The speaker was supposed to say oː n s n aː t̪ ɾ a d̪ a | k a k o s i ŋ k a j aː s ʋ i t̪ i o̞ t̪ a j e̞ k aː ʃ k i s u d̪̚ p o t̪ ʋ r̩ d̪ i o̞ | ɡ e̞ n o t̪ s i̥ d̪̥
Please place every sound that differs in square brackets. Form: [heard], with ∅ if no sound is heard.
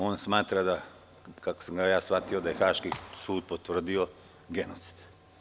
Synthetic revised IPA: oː n s [m] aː t̪ ɾ a d̪ a | k a k o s [a] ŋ [ɡ] a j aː s ʋ [a] t̪ i o̞ [d̪] a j e̞ [x] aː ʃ k i s [uː] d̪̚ p o t̪ ʋ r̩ d̪ i o̞ | ɡ e̞ n o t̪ s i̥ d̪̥